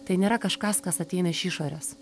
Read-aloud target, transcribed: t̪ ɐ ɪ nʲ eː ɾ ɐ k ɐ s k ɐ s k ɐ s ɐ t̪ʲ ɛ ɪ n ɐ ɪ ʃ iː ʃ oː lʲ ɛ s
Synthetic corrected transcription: t̪ ɐ ɪ nʲ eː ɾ ɐ k ɐ ʃ k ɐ s k ɐ s ɐ t̪ʲ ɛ ɪ n ɐ ɪ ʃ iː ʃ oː ɾʲ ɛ s